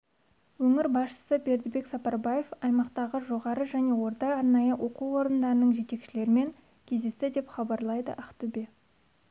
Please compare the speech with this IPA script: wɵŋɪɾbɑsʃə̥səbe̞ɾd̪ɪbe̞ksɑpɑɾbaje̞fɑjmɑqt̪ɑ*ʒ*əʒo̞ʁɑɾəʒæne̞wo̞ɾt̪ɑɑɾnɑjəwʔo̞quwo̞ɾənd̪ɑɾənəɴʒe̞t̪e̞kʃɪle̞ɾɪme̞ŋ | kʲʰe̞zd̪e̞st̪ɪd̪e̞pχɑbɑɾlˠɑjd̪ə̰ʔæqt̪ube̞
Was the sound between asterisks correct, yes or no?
no